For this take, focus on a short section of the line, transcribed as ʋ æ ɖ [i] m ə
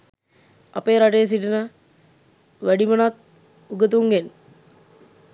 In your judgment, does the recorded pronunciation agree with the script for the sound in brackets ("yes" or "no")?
yes